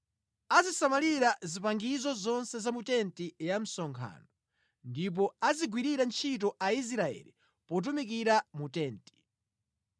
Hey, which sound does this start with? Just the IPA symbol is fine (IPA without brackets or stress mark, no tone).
a